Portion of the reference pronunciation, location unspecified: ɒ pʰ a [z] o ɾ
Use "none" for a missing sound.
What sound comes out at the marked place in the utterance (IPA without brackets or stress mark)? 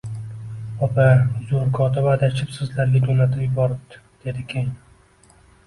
z